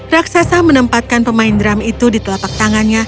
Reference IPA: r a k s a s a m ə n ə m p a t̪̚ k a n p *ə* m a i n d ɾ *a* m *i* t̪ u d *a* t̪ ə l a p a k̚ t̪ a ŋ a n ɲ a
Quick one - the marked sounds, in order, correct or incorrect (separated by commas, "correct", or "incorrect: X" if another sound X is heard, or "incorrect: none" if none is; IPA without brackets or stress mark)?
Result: correct, correct, correct, incorrect: i